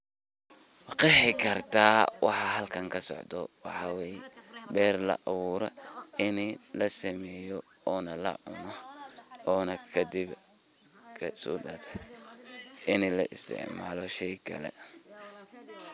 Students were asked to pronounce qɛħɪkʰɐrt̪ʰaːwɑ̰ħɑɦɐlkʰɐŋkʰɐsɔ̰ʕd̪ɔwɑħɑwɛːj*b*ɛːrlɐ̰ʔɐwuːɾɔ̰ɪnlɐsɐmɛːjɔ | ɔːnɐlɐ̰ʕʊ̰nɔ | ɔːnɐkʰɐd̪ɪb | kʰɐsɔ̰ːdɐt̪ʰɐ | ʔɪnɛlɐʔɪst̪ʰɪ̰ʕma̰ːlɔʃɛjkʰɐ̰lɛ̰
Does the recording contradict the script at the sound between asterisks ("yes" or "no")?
no